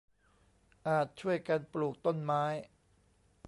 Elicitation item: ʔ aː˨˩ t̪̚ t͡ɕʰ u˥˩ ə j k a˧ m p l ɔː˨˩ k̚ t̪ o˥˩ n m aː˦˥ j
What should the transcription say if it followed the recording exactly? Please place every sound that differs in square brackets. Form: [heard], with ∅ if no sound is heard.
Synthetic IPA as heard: ʔ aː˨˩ t̪̚ t͡ɕʰ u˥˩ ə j k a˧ [n] p l [uː˨˩] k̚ t̪ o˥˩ n m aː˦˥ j